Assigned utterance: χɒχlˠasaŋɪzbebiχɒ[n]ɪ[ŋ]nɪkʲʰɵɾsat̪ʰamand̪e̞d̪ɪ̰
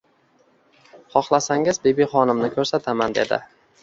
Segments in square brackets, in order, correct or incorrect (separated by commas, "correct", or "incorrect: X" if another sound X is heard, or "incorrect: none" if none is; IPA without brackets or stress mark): correct, incorrect: m